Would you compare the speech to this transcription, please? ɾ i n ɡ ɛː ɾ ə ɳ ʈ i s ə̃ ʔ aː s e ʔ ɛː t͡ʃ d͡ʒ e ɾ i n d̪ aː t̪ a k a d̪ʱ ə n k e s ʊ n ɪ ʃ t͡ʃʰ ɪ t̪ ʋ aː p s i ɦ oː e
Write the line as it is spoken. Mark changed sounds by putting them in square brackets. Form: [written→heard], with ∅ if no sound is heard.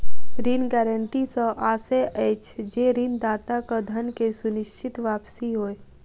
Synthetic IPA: ɾ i n ɡ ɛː ɾ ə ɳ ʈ i s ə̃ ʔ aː s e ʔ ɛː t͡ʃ d͡ʒ e ɾ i n d̪ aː t̪ a k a d̪ʱ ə n k e s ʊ n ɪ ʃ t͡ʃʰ ɪ t̪ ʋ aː p s i ɦ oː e